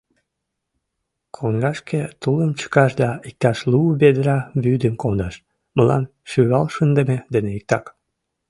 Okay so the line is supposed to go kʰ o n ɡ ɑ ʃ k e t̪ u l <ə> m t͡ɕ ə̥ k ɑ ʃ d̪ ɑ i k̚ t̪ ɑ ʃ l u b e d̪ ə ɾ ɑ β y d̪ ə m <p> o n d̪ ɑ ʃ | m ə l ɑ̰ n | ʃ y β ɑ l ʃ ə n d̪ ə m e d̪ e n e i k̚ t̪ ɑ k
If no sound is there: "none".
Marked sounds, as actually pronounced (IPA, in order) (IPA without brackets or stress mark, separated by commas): ə, k